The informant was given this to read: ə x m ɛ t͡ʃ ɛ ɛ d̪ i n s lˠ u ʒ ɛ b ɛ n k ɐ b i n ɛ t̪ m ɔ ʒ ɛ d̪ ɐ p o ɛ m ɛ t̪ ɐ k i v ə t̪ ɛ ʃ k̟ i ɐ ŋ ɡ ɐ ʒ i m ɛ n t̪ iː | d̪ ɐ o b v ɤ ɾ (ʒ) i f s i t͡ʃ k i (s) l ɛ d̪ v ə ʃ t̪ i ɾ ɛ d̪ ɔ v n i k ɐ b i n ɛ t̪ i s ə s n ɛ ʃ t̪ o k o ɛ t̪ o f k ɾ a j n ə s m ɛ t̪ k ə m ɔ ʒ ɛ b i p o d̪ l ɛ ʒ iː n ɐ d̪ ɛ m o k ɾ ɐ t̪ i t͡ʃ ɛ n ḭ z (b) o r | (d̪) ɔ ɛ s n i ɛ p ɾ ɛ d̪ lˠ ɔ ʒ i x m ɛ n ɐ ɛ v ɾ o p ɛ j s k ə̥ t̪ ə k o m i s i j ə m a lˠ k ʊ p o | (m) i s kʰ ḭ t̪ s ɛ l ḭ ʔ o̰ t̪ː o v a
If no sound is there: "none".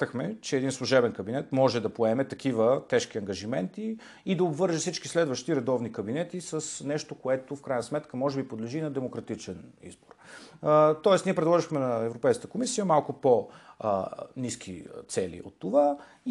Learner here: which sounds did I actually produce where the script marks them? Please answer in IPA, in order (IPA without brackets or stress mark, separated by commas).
ʒ, s, b, t̪, n